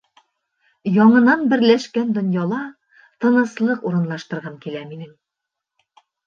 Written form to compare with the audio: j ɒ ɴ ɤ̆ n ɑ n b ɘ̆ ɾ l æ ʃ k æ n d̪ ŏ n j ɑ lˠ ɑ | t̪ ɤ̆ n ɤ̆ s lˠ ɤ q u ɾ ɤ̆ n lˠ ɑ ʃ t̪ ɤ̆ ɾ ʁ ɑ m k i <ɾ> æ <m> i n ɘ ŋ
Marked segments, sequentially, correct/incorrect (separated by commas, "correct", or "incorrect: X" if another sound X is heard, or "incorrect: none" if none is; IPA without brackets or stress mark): incorrect: l, correct